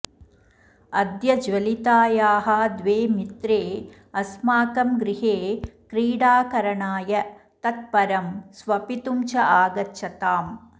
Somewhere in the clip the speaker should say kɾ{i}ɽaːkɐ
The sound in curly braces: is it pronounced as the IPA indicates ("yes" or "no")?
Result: no